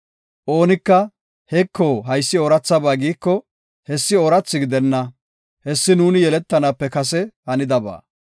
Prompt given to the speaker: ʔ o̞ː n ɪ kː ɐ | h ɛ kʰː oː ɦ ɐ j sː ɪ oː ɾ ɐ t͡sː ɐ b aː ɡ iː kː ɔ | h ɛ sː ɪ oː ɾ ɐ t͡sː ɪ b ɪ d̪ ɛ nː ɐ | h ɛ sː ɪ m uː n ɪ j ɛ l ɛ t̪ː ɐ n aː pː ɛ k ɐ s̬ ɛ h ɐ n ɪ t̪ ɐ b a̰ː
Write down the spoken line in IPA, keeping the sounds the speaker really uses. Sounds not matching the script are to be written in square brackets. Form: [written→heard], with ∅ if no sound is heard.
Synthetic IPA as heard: ʔ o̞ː n ɪ kː ɐ | h ɛ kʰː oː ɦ ɐ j sː ɪ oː ɾ ɐ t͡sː ɐ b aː ɡ iː kː ɔ | h ɛ sː ɪ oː ɾ ɐ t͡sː ɪ [b→ɡ] ɪ d̪ ɛ nː ɐ | h ɛ sː ɪ [m→n] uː n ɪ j ɛ l ɛ t̪ː ɐ n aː pː ɛ k ɐ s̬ ɛ h ɐ n ɪ [t̪→d̪] ɐ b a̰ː